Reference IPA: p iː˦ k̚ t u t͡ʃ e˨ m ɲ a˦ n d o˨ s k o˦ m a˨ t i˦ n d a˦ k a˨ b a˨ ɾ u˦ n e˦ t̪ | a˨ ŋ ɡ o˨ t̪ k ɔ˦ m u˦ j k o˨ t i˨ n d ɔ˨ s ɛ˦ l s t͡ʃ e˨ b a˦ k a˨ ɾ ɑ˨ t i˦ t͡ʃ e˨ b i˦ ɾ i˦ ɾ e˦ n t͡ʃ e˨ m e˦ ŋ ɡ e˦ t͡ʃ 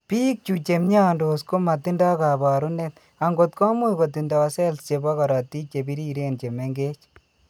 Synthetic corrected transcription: p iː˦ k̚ t͡ʃ u t͡ʃ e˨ m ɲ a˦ n d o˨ s k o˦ m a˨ t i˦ n d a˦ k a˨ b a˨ ɾ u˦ n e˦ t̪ | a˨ ŋ ɡ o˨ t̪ k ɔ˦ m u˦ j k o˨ t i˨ n d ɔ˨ s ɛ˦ l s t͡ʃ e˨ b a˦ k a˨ ɾ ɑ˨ t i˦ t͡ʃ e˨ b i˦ ɾ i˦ ɾ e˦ n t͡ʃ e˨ m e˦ ŋ ɡ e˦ t͡ʃ